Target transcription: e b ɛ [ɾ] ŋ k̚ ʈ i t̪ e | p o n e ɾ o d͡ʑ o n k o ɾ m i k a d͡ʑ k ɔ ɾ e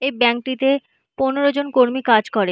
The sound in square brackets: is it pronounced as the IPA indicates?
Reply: no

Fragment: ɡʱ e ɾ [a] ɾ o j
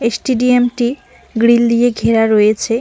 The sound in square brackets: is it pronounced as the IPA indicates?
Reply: yes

